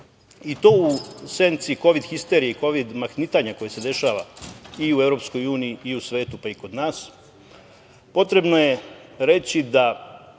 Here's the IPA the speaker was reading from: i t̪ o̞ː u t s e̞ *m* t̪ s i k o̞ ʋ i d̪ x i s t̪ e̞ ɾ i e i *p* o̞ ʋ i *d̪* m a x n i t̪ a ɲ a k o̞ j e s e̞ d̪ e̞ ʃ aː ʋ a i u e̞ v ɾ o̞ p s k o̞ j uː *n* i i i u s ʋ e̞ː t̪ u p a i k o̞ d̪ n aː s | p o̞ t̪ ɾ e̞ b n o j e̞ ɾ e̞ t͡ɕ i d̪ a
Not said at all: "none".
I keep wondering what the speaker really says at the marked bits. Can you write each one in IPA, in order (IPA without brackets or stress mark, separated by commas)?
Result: n, k, d̪, n